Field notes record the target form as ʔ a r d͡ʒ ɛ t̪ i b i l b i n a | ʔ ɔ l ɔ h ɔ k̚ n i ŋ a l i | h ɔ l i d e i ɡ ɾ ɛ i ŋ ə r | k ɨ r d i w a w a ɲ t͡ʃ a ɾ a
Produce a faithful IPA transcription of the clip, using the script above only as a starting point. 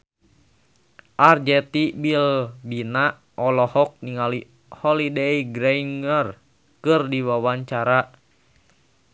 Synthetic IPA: ʔ a r d͡ʒ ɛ t̪ i b i l b i n a | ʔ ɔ l ɔ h ɔ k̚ n i ŋ a l i | h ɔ l i d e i ɡ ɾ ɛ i ŋ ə r | k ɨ r d i w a w a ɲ t͡ʃ a ɾ a